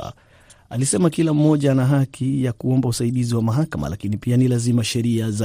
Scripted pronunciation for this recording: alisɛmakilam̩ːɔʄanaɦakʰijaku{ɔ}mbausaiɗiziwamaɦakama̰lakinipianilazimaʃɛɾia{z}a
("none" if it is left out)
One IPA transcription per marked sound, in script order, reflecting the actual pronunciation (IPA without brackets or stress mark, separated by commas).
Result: ɔ, z